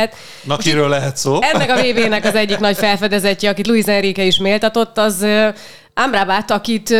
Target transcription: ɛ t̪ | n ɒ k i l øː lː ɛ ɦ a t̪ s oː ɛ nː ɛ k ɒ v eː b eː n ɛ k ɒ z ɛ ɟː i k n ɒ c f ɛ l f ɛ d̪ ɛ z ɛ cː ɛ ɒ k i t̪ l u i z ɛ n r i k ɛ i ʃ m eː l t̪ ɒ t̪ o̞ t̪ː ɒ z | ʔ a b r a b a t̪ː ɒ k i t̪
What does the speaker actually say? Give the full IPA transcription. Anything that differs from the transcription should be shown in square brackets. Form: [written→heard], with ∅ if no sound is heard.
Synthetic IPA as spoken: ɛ t̪ | n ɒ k i [l→ɾ] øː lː ɛ ɦ [a→ɛ] t̪ s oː ɛ nː ɛ k ɒ v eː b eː n ɛ k ɒ z ɛ ɟː i k n ɒ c f ɛ l f ɛ d̪ ɛ z ɛ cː ɛ ɒ k i t̪ l u i z ɛ n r i k ɛ i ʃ m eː l t̪ ɒ t̪ o̞ t̪ː ɒ z | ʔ a [b→m] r a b a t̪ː ɒ k i t̪